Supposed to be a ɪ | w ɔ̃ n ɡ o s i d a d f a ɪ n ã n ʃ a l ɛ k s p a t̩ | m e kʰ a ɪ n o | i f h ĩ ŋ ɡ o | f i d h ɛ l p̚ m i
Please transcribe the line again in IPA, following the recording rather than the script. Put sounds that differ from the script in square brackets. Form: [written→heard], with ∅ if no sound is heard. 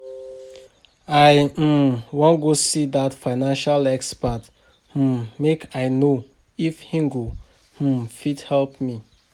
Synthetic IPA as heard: a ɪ | w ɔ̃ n ɡ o s i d a [d→t] f a ɪ n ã n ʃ a l ɛ k s p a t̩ | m e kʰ a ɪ n o | i f h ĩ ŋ ɡ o | f i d h ɛ l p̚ m i